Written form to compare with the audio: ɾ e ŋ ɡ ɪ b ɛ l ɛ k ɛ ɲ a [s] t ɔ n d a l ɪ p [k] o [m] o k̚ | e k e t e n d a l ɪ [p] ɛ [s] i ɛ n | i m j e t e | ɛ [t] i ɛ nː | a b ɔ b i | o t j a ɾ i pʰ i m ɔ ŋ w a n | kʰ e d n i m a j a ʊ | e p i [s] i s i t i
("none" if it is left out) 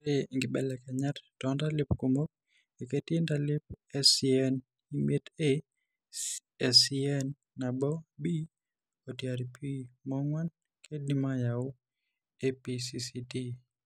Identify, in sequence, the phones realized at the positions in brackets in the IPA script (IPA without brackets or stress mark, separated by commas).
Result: t, k, m, p, s, s, s